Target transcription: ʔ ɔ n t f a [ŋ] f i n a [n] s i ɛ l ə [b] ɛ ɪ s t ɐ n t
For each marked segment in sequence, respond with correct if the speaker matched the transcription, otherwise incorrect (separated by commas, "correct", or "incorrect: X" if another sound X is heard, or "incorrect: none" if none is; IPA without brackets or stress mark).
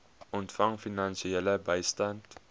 correct, correct, correct